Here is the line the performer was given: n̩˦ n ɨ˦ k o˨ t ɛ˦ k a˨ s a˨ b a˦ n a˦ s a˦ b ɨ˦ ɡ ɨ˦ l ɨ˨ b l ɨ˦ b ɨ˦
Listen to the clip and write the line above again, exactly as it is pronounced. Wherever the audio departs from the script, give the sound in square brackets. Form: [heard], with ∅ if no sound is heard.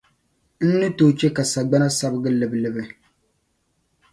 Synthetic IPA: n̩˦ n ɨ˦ [t] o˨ [t͡ʃ] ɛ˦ k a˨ s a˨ [ɡ͡b] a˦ n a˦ s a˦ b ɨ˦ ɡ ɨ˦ l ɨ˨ b l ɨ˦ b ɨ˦